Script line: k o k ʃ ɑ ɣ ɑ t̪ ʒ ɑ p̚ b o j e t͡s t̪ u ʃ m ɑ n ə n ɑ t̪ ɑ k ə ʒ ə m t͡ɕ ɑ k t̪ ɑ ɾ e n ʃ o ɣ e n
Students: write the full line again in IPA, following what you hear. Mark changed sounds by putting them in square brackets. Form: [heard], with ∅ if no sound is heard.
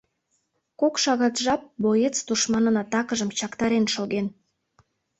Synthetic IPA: k o k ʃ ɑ ɣ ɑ t̪ ʒ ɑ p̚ b o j e t͡s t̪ u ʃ m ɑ n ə n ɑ t̪ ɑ k ə ʒ ə m t͡ɕ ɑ k t̪ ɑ ɾ e n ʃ o ɣ e n